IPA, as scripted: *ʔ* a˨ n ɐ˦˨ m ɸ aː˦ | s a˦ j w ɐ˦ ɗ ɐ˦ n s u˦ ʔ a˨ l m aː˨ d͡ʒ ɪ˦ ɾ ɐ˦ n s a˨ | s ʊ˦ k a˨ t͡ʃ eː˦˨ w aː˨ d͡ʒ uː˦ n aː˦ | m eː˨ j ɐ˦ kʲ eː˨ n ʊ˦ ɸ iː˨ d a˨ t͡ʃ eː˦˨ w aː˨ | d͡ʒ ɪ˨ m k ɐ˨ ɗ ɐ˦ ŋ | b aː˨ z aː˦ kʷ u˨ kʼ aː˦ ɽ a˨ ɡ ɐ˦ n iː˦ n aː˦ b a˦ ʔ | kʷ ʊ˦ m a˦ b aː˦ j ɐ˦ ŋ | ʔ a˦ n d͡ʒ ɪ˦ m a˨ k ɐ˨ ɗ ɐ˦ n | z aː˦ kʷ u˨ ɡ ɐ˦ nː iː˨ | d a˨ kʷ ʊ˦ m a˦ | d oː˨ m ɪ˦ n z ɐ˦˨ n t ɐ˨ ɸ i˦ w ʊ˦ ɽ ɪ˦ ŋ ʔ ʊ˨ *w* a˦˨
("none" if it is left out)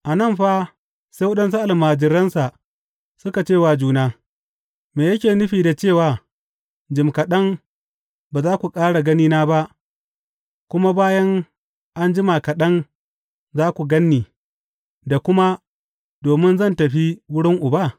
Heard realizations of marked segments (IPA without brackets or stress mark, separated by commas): ʔ, b